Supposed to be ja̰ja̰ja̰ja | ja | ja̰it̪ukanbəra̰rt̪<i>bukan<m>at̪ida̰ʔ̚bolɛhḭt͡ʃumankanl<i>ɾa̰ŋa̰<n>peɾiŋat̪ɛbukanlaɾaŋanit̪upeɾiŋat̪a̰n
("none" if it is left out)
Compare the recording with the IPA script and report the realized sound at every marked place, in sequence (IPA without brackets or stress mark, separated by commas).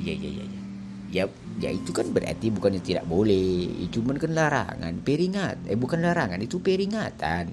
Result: i, ɲ, a, n